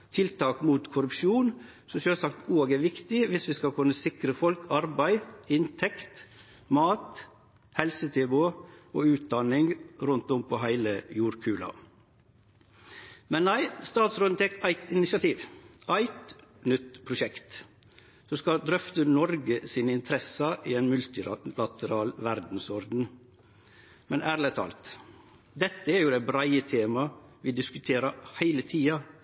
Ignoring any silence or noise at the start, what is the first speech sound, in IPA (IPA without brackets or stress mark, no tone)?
t̪ʰ